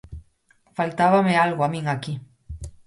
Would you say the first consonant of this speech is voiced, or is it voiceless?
voiceless